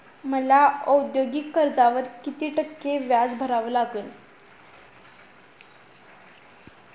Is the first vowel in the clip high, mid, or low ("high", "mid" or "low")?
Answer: mid